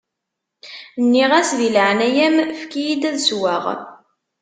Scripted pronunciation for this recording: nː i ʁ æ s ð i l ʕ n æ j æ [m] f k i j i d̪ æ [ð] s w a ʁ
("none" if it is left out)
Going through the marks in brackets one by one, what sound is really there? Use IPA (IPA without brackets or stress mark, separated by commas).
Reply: m, ð